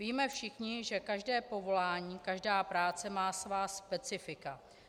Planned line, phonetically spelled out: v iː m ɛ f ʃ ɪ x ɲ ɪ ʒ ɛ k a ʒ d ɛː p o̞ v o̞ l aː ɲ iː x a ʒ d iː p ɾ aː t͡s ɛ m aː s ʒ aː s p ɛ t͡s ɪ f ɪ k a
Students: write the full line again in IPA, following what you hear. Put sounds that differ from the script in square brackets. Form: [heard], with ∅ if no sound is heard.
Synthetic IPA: v iː m ɛ f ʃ ɪ x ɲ ɪ ʒ ɛ k a ʒ d ɛː p o̞ v o̞ l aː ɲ iː [k] a ʒ d [aː] p ɾ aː t͡s ɛ m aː s [v] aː s p ɛ t͡s ɪ f ɪ k a